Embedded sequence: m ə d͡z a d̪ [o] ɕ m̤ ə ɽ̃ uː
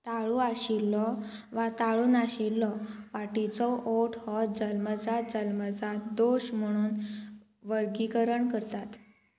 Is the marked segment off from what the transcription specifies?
no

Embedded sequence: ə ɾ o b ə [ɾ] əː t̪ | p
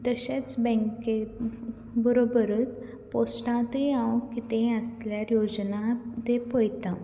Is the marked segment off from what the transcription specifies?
no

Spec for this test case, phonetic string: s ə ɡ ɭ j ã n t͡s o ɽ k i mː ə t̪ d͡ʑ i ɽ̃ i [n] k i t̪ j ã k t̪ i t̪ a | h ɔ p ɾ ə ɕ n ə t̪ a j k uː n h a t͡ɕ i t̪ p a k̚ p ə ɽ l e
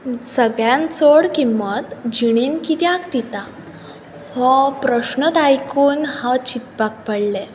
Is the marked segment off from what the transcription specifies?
no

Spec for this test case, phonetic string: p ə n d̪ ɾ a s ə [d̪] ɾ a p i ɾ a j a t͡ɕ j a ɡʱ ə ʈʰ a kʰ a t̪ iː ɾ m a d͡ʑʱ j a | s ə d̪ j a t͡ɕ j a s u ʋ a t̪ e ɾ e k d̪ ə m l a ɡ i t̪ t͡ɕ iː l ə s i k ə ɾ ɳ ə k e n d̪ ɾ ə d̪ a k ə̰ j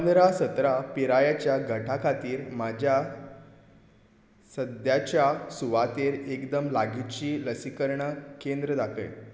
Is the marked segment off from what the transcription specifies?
yes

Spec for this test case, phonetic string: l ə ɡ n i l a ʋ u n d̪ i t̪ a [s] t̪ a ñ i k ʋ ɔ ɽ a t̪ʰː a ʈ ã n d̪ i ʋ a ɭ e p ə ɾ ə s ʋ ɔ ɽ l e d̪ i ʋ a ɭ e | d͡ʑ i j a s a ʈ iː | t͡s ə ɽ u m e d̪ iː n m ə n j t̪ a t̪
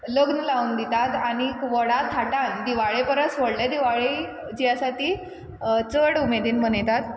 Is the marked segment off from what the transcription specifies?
yes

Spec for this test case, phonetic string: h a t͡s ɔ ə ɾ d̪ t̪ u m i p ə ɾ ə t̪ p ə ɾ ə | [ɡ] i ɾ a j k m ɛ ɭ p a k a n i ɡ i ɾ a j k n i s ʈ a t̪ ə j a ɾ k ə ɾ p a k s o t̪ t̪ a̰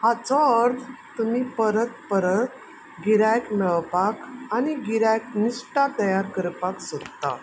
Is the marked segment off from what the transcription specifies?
no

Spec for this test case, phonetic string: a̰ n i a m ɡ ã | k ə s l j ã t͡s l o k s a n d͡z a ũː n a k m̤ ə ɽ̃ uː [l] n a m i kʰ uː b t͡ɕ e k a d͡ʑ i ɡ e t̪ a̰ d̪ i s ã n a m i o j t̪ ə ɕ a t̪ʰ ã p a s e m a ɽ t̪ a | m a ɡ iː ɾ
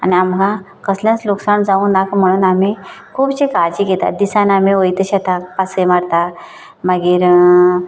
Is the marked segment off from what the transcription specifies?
yes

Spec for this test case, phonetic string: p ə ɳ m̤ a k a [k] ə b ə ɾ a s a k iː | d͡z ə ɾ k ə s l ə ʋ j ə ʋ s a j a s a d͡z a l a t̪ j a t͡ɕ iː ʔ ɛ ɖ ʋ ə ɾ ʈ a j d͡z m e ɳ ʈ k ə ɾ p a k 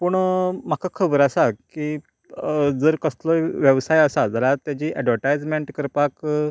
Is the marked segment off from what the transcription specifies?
yes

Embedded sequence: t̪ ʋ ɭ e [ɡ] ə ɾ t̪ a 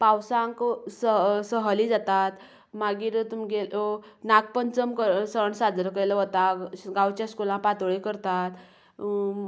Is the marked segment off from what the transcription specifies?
yes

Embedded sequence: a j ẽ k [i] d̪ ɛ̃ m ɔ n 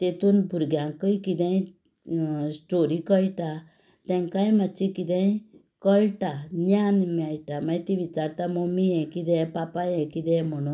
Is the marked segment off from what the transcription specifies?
no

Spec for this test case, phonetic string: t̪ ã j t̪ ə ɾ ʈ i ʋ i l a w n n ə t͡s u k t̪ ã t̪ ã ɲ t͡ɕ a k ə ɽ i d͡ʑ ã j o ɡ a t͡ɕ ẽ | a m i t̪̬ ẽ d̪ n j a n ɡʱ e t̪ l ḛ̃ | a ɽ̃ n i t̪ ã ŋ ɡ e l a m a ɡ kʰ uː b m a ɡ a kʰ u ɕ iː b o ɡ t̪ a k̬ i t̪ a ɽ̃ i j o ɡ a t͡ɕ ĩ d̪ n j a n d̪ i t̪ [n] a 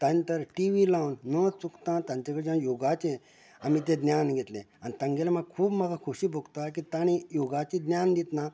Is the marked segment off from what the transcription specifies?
no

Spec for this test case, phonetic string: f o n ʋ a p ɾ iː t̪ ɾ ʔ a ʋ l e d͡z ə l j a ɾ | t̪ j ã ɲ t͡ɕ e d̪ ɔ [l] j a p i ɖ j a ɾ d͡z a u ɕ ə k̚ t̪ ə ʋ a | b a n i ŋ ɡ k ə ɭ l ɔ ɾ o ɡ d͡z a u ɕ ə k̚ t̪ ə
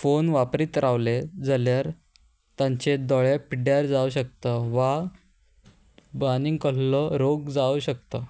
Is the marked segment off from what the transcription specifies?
yes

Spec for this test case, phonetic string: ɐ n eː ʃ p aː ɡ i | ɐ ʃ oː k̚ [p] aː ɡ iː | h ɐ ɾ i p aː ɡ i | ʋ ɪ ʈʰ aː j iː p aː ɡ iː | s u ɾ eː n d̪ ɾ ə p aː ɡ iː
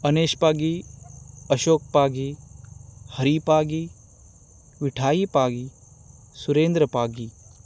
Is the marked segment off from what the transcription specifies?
no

